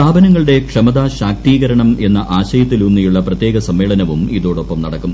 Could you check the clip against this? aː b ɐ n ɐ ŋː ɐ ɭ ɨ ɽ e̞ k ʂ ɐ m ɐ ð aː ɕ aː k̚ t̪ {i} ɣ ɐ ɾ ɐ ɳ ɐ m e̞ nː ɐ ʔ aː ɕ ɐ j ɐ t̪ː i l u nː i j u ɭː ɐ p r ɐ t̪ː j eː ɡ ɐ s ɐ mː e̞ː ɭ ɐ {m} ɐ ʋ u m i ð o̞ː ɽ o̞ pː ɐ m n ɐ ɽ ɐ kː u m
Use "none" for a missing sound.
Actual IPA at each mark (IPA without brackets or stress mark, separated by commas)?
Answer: iː, n